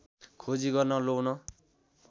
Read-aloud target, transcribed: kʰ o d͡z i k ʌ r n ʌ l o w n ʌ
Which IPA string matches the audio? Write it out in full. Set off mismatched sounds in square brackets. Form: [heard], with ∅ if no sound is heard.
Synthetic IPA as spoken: kʰ o d͡z i [ɡ] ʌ r n ʌ l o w n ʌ